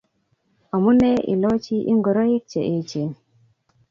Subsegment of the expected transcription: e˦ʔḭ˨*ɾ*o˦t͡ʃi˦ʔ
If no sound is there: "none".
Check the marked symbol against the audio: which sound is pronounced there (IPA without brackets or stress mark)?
l